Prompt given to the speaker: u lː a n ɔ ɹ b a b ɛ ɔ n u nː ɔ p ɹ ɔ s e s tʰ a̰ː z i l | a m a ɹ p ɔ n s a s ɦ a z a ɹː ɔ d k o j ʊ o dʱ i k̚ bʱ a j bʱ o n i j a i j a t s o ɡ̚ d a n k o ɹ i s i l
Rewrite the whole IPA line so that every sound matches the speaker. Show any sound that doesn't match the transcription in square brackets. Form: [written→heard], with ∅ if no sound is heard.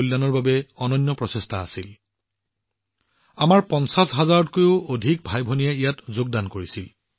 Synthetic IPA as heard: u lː a n ɔ ɹ b a b ɛ ɔ n [u→ɔ] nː ɔ p ɹ ɔ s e s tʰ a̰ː [z→s] i l | a m a ɹ p ɔ n s a s ɦ a z a [ɹː→ɹ] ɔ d k o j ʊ o dʱ i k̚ bʱ a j bʱ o n i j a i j a t [s→z] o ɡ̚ d a n k o ɹ i s i l